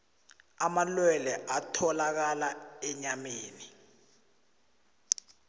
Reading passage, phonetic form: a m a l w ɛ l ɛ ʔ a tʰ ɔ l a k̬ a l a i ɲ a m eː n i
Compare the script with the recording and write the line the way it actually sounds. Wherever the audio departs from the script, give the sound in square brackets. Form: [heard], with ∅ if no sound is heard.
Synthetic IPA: a m a l w ɛ l ɛ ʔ a tʰ ɔ l a k̬ a l a [ɛ] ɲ a m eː n i